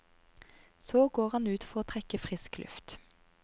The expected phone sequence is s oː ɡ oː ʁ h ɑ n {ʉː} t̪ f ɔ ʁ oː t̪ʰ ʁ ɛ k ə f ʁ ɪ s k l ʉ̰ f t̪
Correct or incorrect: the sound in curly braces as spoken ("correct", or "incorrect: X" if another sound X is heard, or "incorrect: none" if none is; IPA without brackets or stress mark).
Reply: correct